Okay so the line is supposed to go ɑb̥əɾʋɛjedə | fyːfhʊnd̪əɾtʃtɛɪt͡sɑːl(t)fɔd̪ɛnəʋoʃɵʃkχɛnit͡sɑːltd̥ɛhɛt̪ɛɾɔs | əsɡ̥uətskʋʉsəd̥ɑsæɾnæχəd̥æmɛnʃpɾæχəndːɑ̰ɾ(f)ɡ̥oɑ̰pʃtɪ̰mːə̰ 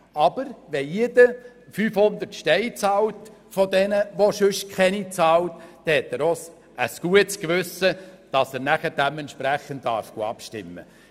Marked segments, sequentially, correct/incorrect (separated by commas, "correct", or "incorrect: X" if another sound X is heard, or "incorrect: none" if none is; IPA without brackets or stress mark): correct, correct